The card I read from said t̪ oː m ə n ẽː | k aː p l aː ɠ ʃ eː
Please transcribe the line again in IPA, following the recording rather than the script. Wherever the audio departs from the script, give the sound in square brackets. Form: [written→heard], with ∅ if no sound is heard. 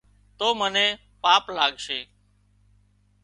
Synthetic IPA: t̪ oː m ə n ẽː | [k→p] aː p l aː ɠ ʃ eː